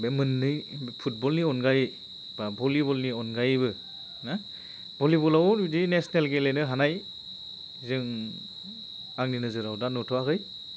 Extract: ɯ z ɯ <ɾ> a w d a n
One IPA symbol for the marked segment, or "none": ɾ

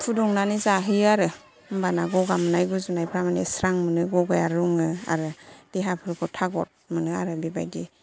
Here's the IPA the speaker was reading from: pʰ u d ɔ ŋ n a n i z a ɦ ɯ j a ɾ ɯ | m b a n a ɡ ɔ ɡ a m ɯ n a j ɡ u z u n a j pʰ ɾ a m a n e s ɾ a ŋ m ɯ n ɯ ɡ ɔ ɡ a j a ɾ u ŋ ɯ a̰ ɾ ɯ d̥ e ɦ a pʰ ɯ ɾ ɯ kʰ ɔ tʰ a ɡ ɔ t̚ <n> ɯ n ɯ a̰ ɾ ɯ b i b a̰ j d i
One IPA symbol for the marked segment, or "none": m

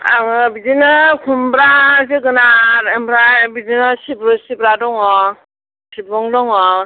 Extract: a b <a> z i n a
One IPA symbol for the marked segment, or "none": i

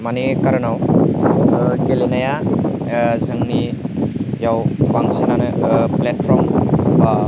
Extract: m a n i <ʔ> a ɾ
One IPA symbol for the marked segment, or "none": k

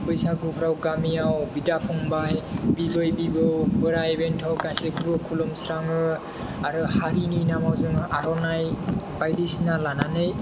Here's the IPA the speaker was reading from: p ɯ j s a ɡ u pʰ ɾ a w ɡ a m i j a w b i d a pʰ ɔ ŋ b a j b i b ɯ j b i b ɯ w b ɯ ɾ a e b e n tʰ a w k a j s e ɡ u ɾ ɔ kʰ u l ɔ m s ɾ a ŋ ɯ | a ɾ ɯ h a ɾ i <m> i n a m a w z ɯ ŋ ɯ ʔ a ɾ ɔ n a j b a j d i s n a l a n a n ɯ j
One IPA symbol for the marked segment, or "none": n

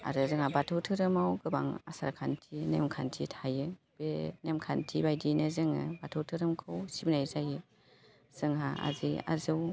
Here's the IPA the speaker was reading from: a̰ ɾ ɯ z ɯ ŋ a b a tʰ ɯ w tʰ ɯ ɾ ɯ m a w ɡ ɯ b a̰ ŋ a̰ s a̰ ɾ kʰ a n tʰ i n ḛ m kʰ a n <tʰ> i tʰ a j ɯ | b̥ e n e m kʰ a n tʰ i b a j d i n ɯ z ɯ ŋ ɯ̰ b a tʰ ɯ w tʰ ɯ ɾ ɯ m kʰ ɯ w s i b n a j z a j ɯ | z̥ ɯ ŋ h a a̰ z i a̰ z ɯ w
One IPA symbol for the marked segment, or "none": tʰ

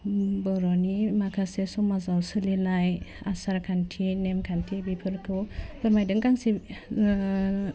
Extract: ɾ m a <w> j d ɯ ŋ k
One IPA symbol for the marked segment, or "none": none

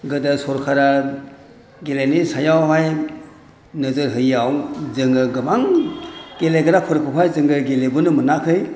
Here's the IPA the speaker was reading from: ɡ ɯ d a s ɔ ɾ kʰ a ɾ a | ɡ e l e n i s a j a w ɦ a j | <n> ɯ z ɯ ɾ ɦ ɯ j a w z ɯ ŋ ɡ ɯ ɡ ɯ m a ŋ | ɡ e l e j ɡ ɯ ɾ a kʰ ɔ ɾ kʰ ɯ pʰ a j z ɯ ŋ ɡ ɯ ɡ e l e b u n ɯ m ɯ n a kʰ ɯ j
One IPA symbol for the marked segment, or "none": n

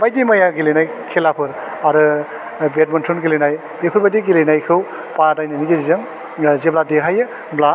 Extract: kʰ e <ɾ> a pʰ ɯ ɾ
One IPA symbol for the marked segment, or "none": l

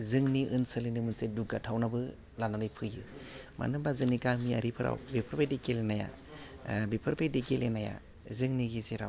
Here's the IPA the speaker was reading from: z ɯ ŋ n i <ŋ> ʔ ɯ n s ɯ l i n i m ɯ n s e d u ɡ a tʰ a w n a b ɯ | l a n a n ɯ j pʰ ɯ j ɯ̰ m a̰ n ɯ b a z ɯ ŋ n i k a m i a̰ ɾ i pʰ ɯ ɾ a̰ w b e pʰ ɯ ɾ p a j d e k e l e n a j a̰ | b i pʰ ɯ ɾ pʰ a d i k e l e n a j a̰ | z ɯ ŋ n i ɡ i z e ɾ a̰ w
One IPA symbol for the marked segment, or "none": none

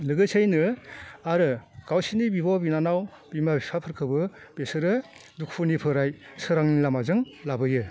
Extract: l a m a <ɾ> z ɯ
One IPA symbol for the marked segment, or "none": none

